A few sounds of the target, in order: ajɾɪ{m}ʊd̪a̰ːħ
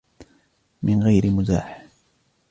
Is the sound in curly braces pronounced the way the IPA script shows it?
yes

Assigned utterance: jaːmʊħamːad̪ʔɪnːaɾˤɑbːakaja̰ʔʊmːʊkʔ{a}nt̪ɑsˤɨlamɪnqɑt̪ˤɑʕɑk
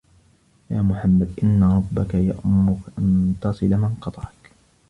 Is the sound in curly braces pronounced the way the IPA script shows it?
yes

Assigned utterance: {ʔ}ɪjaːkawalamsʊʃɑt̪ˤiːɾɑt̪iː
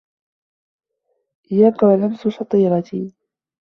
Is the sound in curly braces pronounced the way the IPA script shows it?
yes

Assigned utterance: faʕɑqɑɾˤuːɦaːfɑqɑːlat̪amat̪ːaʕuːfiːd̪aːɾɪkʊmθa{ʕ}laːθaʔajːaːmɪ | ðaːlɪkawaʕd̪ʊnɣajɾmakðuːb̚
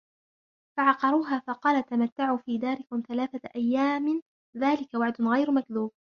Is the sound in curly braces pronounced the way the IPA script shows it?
no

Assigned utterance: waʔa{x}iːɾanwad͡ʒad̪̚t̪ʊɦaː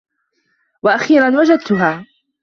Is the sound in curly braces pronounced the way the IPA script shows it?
yes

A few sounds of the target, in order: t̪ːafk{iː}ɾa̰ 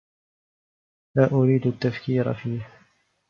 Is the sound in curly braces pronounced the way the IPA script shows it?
yes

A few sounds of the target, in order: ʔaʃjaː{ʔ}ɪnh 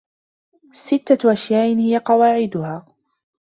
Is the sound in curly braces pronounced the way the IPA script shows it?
yes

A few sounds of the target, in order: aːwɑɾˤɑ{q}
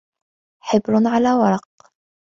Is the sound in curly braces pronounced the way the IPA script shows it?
yes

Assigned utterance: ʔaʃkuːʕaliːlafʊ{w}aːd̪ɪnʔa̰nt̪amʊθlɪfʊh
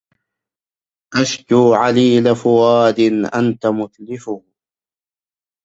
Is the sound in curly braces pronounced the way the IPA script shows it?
yes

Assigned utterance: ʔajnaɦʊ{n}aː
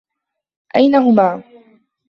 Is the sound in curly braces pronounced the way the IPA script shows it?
no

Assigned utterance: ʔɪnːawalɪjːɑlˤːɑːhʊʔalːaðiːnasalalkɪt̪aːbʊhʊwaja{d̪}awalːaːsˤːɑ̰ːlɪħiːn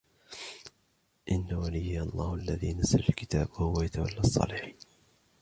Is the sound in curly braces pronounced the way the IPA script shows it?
no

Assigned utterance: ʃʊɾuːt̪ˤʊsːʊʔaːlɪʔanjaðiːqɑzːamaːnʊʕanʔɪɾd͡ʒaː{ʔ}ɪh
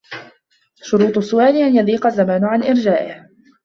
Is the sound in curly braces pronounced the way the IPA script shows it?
yes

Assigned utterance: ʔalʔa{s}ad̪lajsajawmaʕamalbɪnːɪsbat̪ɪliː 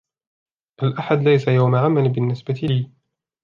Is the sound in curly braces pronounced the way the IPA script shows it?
no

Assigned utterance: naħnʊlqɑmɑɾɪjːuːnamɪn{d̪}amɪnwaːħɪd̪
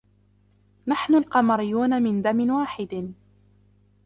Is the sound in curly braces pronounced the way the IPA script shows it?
yes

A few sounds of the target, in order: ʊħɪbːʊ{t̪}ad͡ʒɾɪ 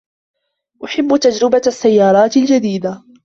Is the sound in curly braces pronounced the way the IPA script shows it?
yes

